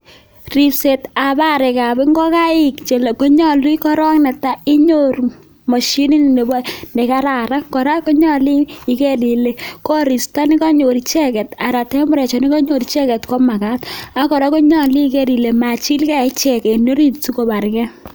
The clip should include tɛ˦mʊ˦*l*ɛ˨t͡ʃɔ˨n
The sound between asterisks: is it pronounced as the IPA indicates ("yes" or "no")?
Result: no